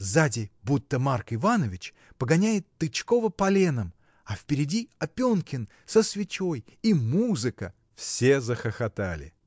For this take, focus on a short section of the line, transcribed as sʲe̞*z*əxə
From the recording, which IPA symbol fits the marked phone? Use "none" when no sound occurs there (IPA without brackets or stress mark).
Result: z